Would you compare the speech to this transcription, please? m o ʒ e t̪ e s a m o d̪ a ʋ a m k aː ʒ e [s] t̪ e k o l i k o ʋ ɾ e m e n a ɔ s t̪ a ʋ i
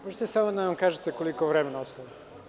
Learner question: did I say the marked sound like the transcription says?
no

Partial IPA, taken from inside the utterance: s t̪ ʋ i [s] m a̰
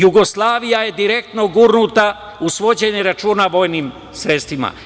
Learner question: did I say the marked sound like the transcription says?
no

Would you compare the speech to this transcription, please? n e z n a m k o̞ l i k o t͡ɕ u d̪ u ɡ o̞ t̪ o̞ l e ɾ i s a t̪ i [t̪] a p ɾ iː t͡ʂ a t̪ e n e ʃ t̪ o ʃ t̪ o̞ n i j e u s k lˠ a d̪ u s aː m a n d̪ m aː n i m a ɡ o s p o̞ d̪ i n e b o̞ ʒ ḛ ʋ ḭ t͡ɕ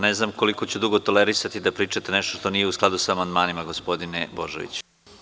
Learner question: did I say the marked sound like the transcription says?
no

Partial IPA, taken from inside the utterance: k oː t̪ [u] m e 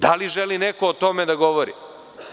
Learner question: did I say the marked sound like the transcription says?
no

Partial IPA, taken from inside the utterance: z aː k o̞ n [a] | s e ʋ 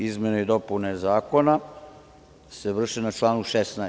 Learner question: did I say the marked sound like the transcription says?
yes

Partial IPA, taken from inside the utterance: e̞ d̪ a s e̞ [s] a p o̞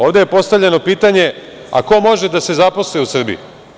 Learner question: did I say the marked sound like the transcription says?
no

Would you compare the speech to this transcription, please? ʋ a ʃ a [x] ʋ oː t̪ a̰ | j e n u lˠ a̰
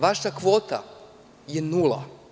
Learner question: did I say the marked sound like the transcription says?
no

